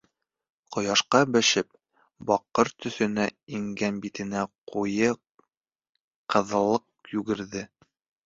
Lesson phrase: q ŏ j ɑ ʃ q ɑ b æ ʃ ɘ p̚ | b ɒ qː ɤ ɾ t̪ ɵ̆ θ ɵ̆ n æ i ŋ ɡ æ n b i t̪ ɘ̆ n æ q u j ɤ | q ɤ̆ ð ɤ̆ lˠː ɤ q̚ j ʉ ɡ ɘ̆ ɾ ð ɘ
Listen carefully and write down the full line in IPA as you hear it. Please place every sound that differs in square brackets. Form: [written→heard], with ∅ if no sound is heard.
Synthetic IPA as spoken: q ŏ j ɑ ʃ q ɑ b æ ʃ ɘ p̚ | b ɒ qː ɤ ɾ t̪ ɵ̆ θ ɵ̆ n æ i ŋ ɡ æ n b i t̪ ɘ̆ n æ q u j ɤ | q ɤ̆ ð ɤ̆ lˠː ɤ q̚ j ʉ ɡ ɘ̆ ɾ ð ɘ